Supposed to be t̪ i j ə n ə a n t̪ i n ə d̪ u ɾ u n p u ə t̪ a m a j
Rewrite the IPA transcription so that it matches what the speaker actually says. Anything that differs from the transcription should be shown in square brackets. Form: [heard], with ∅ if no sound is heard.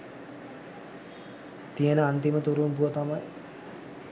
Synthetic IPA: t̪ i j ə n ə a n t̪ i [m] ə [t̪] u ɾ u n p u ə t̪ a m a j

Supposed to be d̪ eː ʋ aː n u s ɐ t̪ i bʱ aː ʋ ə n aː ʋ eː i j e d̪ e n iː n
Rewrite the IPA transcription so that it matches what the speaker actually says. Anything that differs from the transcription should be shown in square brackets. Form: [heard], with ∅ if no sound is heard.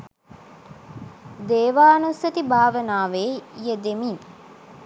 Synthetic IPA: d̪ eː ʋ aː n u s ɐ t̪ i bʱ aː ʋ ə n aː ʋ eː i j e d̪ e [m] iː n

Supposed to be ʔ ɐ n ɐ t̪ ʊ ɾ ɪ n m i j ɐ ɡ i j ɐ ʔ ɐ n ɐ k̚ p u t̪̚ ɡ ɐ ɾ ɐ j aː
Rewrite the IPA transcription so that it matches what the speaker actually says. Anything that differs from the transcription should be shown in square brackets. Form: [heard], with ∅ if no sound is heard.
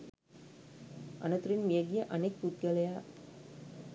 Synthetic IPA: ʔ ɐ n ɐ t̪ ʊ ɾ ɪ n m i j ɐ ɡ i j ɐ ʔ ɐ n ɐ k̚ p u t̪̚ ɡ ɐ [l] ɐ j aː

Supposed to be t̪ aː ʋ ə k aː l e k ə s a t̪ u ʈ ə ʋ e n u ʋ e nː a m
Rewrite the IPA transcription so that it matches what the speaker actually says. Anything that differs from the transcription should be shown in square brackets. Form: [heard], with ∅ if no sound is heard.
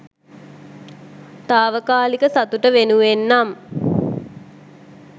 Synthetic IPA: t̪ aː ʋ ə k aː l [i] k ə s a t̪ u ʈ ə ʋ e n u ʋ e nː a m

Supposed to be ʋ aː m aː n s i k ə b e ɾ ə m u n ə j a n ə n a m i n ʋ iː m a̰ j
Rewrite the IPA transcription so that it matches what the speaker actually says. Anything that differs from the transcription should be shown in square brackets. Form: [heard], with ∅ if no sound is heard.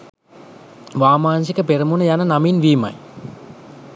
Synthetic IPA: ʋ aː m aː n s i k ə [p] e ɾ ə m u n ə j a n ə n a m i n ʋ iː m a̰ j

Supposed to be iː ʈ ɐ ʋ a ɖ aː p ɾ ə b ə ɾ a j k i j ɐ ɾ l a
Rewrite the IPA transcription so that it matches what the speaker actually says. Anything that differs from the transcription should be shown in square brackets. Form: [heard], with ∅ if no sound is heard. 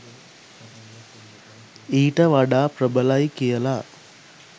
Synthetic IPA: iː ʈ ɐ ʋ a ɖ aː p ɾ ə b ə [l] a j k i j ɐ [∅] l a

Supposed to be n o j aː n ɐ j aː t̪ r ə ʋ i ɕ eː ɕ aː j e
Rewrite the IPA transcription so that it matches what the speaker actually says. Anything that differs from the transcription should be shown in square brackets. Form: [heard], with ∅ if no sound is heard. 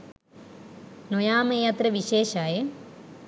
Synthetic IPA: n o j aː [m] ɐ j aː t̪ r [ɐ] ʋ i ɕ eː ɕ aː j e

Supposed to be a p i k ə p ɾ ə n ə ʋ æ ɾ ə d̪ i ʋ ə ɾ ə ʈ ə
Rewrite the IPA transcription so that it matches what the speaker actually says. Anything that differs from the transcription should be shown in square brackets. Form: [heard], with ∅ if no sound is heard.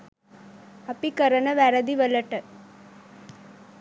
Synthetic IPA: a p i k ə [∅] ɾ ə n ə ʋ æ ɾ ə d̪ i ʋ ə [l] ə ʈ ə

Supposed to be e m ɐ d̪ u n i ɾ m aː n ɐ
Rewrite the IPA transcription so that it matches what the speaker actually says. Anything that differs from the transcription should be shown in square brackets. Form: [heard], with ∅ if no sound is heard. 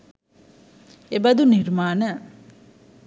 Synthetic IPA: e [b] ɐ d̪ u n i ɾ m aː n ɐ

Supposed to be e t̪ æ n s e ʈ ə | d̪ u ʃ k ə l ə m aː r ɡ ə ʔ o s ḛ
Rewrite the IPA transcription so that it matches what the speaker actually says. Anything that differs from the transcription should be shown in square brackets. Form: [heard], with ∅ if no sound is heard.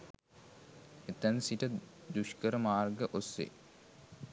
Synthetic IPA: e t̪ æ n s [i] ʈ ə | d̪ u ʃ k ə [ɾ] ə m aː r ɡ ə ʔ o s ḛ

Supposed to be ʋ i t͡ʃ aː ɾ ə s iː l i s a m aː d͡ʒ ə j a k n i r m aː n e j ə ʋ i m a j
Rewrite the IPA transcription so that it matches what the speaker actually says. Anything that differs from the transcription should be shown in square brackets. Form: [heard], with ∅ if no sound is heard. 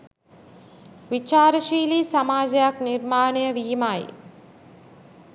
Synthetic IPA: ʋ i t͡ʃ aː ɾ ə [ʃ] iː l i s a m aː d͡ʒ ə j a k n i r m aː n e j ə ʋ [iː] m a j

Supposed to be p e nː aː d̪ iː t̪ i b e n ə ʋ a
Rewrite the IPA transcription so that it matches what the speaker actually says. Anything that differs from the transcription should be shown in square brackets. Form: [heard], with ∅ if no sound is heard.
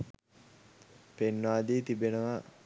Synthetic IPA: p e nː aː d̪ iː t̪ i b e n ə ʋ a

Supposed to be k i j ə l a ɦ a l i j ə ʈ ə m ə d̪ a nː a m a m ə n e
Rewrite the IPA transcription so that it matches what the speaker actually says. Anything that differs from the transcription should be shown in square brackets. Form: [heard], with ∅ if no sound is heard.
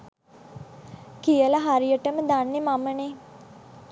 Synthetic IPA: k i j ə l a ɦ a [ɾ] i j ə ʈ ə m ə d̪ a nː [e] m a m ə n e

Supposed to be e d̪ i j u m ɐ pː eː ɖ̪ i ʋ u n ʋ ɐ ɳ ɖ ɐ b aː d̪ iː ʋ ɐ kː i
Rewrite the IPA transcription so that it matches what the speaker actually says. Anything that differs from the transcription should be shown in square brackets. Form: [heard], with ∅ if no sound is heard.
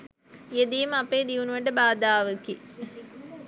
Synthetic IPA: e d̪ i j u m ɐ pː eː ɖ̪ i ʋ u n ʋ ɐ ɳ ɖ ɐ b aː d̪ [aː] ʋ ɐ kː i

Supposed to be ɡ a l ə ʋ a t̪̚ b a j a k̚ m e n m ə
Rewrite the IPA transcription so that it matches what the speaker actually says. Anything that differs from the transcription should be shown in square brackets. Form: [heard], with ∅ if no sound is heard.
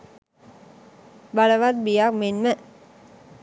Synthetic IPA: [b] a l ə ʋ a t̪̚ b [i] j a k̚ m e n m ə

